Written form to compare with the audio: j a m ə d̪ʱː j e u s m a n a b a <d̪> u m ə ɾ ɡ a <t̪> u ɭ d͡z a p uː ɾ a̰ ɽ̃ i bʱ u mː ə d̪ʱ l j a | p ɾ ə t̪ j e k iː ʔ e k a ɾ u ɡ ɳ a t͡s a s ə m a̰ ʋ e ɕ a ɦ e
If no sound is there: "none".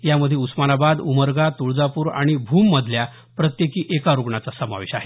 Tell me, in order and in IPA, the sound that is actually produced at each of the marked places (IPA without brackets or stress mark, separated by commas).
d̪, t̪